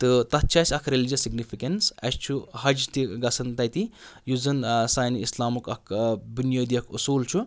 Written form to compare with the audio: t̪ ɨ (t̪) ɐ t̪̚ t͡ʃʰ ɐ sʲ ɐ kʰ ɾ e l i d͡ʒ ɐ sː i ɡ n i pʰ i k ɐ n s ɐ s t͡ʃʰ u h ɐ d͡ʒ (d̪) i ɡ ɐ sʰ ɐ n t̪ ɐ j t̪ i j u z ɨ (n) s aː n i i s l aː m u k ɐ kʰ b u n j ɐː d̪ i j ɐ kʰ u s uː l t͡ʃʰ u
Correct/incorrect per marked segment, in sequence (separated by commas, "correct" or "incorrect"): correct, incorrect, correct